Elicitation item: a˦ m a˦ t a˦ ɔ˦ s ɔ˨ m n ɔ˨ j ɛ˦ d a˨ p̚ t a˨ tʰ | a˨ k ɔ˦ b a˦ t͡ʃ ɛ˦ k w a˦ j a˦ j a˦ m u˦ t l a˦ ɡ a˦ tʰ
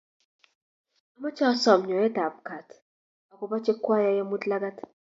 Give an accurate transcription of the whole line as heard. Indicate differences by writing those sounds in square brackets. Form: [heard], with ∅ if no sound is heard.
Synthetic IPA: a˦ m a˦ [t͡ʃ] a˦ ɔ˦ s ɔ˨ m [ɲ] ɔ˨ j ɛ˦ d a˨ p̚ [k] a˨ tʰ | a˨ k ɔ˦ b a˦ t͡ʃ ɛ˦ k w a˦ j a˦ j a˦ m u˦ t l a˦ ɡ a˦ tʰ